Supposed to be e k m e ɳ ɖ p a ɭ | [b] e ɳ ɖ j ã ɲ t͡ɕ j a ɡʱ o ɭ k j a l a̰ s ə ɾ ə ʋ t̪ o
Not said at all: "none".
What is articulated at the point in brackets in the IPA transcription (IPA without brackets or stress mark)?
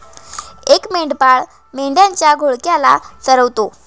m